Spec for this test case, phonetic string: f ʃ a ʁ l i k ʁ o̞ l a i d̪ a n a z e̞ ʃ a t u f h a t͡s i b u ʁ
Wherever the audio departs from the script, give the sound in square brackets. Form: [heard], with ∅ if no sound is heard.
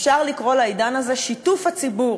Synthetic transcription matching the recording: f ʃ a ʁ l i k ʁ o̞ l a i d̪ a n a z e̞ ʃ [i] t u f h a t͡s i b u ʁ